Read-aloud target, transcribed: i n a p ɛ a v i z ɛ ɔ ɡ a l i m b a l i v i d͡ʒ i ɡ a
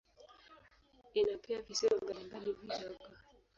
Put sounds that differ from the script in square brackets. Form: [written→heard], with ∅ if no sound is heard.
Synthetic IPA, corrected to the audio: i n a p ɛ a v i [z→s] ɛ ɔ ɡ a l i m b a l i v i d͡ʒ [i→a] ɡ a